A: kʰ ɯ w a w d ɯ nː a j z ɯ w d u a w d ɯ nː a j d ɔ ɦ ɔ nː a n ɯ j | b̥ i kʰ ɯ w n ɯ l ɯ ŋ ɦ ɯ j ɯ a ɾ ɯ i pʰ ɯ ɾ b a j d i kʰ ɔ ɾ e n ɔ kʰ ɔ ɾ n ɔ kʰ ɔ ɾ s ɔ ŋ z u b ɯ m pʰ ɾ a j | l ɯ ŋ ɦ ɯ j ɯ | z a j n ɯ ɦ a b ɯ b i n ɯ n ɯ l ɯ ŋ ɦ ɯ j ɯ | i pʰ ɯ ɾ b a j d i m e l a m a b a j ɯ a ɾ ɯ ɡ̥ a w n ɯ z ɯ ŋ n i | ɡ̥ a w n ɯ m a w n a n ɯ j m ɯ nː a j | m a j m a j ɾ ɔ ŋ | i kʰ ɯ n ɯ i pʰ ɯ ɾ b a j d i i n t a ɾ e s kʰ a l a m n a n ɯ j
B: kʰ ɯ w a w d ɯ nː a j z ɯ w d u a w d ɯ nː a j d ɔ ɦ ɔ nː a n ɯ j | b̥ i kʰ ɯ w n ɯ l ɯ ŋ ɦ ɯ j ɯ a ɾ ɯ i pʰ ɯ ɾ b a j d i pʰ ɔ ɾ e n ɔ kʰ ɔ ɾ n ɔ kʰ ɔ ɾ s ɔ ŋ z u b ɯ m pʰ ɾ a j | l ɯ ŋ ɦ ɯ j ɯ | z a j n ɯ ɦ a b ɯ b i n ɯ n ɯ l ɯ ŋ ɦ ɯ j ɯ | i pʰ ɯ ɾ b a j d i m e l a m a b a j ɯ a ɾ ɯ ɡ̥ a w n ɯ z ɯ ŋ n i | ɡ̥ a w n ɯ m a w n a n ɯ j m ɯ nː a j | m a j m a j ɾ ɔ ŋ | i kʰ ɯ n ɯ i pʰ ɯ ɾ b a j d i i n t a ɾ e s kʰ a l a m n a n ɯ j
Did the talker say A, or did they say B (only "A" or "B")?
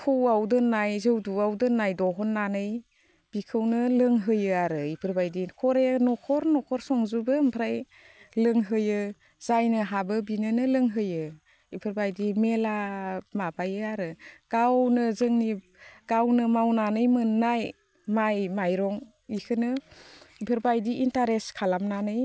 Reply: A